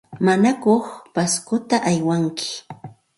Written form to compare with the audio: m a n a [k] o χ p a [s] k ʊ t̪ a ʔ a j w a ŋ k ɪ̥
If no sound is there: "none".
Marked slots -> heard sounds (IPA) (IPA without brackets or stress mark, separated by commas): k, s